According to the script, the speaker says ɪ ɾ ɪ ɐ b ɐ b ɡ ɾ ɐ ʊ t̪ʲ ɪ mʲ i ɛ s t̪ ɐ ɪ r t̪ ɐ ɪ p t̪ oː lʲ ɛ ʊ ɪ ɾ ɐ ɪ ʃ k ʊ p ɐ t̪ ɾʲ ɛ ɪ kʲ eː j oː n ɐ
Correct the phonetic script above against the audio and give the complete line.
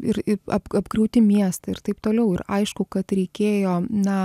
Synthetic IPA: ɪ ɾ ɪ ɐ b ɐ b ɡ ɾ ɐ ʊ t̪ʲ ɪ mʲ i ɛ s t̪ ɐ ɪ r t̪ ɐ ɪ p t̪ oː lʲ ɛ ʊ ɪ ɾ ɐ ɪ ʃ k ʊ k ɐ t̪ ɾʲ ɛ ɪ kʲ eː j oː n ɐ